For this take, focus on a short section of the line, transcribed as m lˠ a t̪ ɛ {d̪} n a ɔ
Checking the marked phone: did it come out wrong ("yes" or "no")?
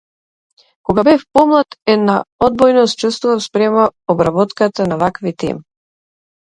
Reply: no